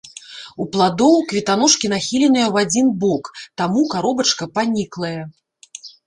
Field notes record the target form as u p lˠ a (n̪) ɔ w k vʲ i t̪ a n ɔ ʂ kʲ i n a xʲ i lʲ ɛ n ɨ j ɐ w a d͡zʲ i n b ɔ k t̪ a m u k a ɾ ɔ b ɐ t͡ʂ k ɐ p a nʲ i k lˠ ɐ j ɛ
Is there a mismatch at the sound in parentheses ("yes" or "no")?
yes